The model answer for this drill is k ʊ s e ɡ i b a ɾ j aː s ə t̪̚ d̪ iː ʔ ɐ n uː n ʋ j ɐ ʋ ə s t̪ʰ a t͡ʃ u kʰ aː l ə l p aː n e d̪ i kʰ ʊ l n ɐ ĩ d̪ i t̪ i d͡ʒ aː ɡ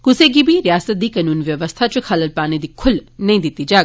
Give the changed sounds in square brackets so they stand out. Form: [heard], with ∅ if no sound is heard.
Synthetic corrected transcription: k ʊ s e ɡ i b [i] ɾ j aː s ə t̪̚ d̪ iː [k] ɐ n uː n ʋ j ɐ ʋ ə s t̪ʰ a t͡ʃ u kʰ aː l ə l p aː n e d̪ i kʰ ʊ l n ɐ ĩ d̪ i t̪ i d͡ʒ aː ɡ